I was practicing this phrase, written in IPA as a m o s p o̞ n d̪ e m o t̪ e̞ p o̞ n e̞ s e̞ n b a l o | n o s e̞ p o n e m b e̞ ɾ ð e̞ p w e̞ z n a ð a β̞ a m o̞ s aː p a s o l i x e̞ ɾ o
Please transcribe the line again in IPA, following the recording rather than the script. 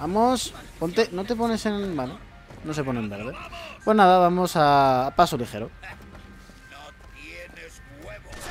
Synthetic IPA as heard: a m o s p o̞ n t̪ e n o t̪ e̞ p o̞ n e̞ s e̞ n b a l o | n o s e̞ p o n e m b e̞ ɾ ð e̞ p w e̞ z n a ð a β̞ a m o̞ s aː p a s o l i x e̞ ɾ o